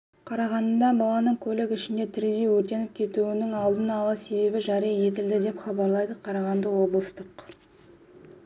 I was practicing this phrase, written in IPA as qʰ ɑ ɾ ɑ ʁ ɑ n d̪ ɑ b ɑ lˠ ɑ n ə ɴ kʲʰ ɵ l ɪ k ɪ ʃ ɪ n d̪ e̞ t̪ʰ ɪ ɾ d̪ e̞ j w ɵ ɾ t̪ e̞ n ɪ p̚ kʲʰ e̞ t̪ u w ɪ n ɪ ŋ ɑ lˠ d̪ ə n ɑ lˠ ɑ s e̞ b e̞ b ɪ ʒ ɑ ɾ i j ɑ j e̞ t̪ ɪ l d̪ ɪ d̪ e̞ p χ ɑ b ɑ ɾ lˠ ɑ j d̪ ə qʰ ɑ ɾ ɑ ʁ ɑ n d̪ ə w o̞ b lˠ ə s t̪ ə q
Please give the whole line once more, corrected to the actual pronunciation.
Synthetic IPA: qʰ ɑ ɾ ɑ ʁ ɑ n d̪ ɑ b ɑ lˠ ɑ n ə ɴ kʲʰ ɵ l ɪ k ɪ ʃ ɪ n d̪ e̞ t̪ʰ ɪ ɾ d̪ e̞ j w ɵ ɾ t̪ e̞ n ɪ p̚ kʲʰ e̞ t̪ u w ɪ n ɪ ŋ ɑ lˠ d̪ ə n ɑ lˠ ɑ s e̞ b e̞ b ɪ ʒ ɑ ɾ i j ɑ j e̞ t̪ ɪ l d̪ ɪ d̪ e̞ p χ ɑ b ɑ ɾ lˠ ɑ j d̪ ə qʰ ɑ ɾ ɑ ʁ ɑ n d̪ ə w o̞ b lˠ ə s t̪ ə q